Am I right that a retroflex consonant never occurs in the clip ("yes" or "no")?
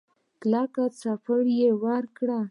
no